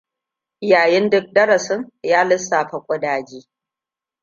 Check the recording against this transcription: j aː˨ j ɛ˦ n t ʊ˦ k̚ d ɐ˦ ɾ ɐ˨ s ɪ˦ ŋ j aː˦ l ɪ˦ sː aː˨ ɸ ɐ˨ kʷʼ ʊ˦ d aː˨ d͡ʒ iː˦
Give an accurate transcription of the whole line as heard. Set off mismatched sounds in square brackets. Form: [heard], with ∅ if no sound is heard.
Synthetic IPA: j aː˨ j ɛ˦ n [d] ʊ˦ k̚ d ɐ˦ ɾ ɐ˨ s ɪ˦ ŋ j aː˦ l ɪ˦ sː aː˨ ɸ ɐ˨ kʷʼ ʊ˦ d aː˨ d͡ʒ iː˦